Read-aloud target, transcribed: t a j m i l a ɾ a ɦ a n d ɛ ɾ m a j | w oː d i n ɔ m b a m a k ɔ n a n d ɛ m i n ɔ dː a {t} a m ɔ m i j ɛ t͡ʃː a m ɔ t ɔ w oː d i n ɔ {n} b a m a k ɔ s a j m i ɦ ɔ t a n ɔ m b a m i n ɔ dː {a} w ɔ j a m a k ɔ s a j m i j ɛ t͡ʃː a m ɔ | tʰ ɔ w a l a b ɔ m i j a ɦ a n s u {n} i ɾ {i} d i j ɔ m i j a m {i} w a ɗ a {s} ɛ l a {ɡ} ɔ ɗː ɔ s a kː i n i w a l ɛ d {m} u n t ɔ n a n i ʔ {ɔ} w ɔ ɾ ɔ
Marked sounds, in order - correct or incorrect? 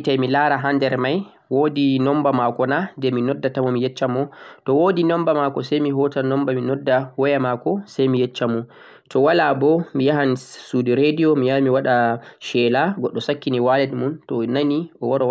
correct, incorrect, correct, incorrect, incorrect, correct, incorrect, correct, correct, correct

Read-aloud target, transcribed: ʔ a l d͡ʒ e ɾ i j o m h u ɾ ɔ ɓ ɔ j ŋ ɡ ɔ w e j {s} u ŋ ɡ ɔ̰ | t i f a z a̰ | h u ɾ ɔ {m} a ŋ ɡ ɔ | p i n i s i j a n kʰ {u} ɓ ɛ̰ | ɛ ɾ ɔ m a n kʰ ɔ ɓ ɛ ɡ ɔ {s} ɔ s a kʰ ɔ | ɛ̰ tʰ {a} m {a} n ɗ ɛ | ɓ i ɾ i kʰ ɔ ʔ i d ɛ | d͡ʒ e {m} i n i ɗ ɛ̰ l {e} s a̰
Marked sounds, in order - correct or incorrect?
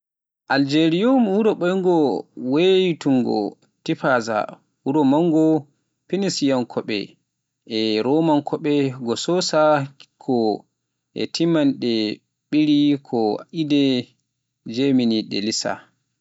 incorrect, correct, incorrect, correct, incorrect, correct, correct, incorrect

